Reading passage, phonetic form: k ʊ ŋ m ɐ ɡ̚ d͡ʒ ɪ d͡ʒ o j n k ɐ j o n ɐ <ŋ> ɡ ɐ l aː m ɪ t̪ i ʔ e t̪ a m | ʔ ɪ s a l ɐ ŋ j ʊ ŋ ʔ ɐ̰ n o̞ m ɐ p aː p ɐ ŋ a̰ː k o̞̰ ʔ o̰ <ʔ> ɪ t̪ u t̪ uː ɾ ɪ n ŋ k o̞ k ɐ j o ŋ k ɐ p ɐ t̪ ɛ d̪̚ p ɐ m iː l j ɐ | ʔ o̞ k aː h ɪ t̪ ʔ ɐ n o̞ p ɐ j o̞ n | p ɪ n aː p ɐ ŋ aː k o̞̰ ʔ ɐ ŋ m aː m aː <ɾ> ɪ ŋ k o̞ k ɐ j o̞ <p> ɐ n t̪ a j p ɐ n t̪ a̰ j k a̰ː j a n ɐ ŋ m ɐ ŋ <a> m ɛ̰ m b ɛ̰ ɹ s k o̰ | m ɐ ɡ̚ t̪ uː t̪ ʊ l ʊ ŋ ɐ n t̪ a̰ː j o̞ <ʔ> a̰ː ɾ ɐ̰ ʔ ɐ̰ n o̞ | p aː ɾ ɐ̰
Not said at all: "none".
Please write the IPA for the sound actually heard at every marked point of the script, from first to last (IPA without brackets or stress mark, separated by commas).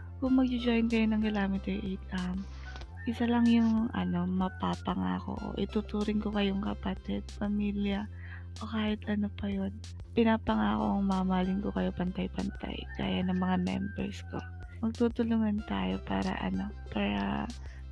ŋ, ʔ, l, p, a, p